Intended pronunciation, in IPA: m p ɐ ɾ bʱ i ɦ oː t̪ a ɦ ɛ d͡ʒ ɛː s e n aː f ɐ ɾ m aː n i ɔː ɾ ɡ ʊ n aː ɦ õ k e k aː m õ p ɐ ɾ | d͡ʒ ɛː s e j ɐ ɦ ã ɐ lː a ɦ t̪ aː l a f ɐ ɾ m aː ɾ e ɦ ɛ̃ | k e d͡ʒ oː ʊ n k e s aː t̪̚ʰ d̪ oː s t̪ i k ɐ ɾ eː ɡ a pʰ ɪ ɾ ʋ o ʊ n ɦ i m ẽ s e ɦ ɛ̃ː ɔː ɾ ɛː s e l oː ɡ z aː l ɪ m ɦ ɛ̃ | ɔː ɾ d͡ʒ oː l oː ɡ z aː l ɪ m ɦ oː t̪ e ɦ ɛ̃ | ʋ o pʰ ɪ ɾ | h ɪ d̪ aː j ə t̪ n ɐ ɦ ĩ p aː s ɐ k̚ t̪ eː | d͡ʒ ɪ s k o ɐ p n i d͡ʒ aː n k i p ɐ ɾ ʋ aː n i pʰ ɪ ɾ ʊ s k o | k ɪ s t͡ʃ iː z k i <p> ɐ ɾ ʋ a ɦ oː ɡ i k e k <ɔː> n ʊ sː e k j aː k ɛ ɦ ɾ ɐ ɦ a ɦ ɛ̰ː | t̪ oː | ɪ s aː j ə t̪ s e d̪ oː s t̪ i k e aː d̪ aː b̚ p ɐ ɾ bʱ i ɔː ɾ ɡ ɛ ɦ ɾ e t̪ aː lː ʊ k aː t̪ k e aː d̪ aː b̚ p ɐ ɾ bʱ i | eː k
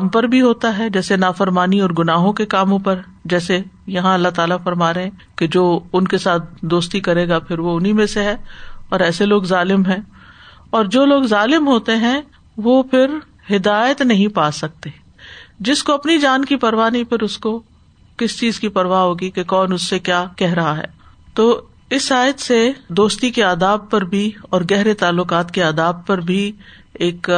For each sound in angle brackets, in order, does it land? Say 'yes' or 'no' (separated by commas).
yes, yes